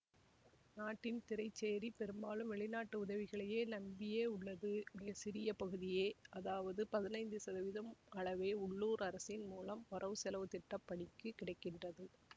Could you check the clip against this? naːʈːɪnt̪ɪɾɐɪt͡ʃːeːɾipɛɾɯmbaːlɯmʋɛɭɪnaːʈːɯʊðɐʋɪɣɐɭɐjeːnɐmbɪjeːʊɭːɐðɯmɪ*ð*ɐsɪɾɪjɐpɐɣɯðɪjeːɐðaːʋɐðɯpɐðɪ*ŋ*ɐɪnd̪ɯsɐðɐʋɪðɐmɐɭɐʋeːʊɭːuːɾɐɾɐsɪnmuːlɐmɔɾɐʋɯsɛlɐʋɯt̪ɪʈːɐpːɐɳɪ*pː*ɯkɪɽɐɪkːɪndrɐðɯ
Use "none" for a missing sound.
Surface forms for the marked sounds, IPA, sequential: ɣ, n, kː

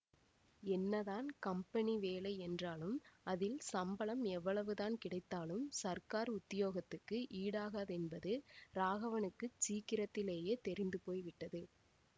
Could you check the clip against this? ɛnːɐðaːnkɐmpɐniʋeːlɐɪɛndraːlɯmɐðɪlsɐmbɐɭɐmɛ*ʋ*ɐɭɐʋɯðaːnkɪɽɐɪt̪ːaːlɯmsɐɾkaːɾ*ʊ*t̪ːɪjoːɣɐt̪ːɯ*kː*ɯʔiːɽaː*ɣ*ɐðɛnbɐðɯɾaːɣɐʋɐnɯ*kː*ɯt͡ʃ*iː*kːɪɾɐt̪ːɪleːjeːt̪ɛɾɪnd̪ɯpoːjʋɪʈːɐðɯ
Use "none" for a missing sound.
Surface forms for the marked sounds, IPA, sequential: ʋː, ʊ, kː, ɣ, kː, iː

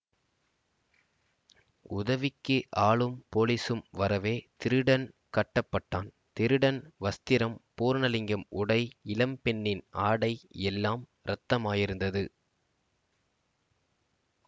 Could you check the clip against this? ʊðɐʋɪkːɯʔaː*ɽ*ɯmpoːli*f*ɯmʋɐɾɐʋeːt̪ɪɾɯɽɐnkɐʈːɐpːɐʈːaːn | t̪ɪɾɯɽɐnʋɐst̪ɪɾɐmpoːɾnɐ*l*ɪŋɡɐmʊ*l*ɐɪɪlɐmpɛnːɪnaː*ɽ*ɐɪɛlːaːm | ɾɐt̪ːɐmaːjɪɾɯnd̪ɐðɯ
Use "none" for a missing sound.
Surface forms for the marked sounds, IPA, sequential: ɭ, s, l, ɽ, ɽ

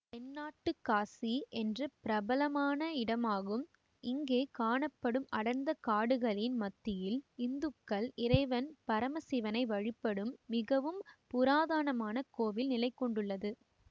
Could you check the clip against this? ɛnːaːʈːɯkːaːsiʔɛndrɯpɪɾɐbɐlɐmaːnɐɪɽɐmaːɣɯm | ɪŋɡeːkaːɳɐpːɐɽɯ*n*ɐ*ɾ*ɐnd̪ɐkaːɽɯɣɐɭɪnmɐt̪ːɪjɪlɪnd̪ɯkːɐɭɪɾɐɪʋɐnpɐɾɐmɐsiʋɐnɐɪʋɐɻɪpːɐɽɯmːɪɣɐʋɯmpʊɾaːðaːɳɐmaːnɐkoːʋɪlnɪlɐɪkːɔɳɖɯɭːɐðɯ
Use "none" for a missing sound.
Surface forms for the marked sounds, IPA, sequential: m, ɽ

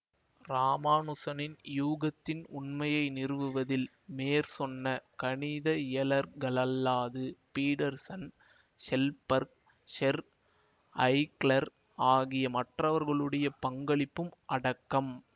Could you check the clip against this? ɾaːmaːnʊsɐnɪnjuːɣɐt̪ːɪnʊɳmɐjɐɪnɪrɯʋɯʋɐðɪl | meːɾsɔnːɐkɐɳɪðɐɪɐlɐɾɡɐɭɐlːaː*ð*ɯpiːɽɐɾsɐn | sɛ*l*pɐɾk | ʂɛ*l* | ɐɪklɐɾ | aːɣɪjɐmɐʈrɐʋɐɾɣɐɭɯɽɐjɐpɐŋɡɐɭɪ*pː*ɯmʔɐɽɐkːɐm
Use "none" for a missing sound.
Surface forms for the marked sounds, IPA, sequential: ð, l, ɾ, pː

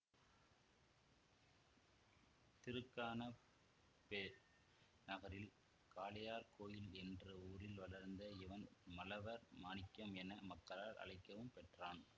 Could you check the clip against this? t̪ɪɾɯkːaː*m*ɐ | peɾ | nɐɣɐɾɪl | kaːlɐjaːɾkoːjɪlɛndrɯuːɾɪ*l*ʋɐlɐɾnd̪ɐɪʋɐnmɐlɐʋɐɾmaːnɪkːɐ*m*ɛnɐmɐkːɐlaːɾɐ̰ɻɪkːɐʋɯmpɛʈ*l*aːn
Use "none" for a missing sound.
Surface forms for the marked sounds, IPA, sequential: n, l, m, r

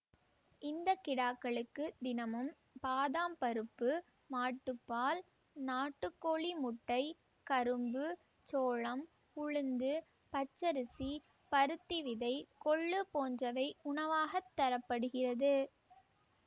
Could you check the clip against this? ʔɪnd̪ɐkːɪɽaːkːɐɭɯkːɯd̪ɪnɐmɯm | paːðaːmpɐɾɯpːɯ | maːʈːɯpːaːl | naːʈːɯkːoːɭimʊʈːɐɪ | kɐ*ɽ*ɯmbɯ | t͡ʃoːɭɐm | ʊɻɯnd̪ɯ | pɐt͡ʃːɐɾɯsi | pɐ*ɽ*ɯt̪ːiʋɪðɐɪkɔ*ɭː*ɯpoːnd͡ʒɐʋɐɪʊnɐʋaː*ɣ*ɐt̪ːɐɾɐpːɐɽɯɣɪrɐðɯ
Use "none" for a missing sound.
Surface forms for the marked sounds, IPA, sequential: ɾ, ɾ, ɭː, ɣ

